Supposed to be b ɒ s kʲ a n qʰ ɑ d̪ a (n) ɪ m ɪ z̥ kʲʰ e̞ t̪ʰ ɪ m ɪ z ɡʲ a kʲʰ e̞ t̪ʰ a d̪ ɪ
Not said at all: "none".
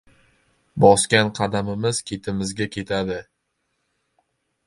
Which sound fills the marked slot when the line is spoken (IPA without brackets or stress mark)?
m